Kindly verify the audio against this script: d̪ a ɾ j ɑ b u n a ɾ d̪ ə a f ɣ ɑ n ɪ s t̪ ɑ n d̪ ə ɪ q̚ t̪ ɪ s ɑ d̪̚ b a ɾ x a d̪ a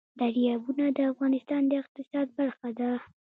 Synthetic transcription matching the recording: d̪ a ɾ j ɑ b u n a d̪ ə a f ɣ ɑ n ɪ s t̪ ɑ n d̪ ə ɪ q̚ t̪ ɪ s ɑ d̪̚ b a ɾ x a d̪ a